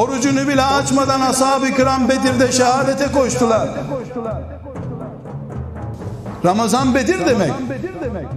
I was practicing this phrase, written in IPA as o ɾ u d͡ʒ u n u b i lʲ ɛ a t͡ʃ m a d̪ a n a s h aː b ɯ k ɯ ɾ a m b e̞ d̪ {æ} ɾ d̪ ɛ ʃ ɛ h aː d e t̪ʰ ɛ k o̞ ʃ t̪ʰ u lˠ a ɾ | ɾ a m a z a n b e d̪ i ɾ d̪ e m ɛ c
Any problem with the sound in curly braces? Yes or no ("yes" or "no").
yes